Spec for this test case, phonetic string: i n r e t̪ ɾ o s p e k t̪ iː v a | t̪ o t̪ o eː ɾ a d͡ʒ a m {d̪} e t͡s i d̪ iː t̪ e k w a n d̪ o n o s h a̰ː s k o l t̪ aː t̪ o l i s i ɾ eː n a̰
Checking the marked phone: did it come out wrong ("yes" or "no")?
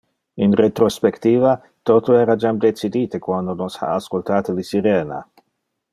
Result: no